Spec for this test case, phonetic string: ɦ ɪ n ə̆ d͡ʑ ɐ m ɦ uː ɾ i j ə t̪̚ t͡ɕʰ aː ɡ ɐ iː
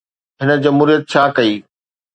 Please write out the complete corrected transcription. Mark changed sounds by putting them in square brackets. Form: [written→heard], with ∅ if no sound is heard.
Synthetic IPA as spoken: ɦ ɪ n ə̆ d͡ʑ ɐ m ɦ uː ɾ i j ə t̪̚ t͡ɕʰ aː [ɡ→k] ɐ iː